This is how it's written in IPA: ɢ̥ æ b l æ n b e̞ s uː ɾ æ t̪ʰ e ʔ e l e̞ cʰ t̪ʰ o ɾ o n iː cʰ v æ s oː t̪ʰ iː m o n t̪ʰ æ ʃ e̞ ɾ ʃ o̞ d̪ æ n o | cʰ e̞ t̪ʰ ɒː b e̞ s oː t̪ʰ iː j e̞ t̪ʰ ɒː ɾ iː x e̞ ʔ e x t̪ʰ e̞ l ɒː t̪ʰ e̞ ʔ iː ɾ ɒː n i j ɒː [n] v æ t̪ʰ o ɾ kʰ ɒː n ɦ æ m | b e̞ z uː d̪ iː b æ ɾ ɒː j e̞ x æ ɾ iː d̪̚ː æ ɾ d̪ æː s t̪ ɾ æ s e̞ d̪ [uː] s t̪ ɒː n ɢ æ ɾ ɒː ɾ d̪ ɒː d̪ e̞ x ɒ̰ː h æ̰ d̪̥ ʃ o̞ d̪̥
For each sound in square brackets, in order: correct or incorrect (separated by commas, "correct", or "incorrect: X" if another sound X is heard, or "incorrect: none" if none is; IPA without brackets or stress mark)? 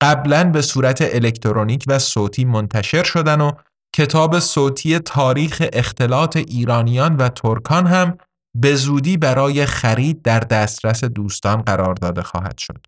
correct, correct